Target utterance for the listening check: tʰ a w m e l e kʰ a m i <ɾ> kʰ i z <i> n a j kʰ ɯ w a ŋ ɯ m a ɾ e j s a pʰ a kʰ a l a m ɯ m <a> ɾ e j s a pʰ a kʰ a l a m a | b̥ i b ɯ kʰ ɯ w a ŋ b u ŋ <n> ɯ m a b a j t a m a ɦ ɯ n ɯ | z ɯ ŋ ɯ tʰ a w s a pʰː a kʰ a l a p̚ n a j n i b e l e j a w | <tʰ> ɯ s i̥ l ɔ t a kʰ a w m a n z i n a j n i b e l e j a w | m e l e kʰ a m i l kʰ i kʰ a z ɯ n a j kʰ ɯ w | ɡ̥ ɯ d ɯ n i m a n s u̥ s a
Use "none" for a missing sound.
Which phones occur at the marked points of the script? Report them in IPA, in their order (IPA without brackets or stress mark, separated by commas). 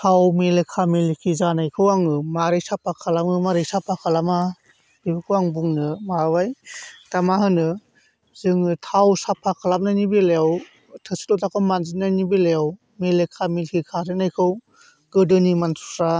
l, a, a, n, tʰ